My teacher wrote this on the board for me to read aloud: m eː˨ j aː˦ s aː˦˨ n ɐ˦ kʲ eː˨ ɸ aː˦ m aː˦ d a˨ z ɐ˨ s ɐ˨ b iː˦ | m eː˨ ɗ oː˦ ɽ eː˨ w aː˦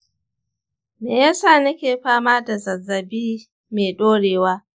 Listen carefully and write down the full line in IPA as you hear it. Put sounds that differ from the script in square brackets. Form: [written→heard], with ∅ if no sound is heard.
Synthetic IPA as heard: m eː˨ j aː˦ s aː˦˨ n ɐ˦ kʲ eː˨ ɸ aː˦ m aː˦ d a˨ z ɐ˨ [s→z] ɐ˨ b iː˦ | m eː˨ ɗ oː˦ ɽ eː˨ w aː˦